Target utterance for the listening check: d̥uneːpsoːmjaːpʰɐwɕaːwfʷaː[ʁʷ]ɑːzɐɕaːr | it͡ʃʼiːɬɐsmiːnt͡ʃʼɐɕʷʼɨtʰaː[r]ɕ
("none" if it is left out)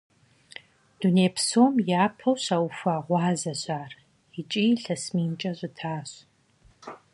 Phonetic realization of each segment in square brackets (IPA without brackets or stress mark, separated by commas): ʁʷ, none